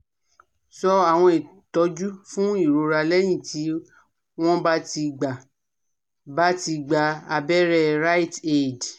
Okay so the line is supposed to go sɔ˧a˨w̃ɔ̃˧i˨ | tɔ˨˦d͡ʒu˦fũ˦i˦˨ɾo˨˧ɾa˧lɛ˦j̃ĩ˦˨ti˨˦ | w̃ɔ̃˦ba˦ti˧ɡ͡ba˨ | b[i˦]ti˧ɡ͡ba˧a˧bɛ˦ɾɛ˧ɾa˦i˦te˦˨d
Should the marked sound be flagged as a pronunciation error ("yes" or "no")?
yes